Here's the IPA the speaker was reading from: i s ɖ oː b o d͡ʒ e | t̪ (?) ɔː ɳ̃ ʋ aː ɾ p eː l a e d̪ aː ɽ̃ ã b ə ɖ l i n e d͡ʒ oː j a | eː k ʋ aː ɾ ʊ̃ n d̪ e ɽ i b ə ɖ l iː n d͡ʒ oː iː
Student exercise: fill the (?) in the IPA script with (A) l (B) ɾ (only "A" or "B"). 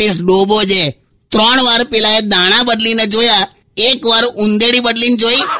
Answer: B